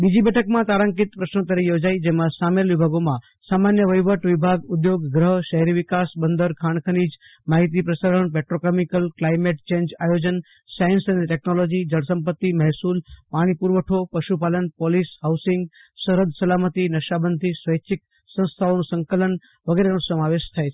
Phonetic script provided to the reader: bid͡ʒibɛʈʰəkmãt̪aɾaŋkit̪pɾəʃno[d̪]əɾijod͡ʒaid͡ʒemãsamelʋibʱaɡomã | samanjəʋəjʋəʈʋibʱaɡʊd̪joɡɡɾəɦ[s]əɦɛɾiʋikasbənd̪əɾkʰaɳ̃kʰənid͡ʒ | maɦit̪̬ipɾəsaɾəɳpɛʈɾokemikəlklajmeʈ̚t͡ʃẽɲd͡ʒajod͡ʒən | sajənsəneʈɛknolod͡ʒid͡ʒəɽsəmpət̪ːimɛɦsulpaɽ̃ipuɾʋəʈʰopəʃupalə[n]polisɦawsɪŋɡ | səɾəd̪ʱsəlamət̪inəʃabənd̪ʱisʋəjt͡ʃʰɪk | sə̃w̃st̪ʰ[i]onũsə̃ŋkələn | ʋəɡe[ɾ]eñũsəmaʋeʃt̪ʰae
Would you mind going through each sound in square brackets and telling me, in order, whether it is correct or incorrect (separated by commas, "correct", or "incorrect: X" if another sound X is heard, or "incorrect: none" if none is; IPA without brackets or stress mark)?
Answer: incorrect: t̪, incorrect: ʃ, correct, incorrect: a, correct